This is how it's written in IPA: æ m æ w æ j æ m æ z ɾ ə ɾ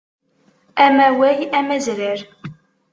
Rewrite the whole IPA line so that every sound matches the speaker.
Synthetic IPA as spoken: æ m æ w æ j æ m æ z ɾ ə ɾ